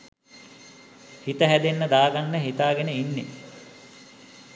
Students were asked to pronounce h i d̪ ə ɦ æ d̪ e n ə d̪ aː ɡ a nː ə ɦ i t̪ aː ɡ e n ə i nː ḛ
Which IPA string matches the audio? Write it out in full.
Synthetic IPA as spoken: h i t̪ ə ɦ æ d̪ e nː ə d̪ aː ɡ a nː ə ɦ i t̪ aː ɡ e n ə i nː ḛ